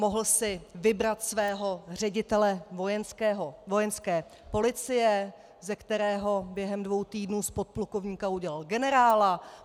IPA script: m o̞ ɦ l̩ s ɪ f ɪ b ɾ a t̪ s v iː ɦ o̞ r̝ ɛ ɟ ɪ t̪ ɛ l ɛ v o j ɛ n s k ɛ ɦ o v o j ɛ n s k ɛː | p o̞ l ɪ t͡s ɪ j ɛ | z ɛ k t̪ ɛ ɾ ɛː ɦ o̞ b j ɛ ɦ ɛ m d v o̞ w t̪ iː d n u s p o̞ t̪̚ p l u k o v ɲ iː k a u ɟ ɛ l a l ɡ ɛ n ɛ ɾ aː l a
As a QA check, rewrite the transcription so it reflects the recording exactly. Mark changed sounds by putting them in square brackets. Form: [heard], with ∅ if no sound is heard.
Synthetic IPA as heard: m o̞ ɦ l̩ s ɪ [v] ɪ b ɾ a t̪ s v [ɛː] ɦ o̞ r̝ ɛ ɟ ɪ t̪ ɛ l ɛ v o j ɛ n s k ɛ ɦ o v o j ɛ n s k ɛː | p o̞ l ɪ t͡s ɪ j ɛ | z ɛ k t̪ ɛ ɾ ɛː ɦ o̞ b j ɛ ɦ ɛ m d v o̞ w t̪ iː d n [uː] s p o̞ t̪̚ p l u k o v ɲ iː k a u ɟ ɛ l a l ɡ ɛ n ɛ ɾ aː l a